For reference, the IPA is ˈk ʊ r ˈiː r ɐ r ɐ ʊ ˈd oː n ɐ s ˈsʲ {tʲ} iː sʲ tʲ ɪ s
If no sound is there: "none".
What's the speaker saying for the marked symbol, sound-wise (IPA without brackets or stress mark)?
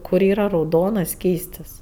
kʲ